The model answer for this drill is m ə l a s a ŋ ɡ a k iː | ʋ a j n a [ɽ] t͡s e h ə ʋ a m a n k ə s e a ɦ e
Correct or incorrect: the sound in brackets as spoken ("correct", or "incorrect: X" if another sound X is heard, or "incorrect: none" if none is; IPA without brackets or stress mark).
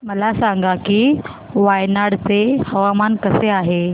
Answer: correct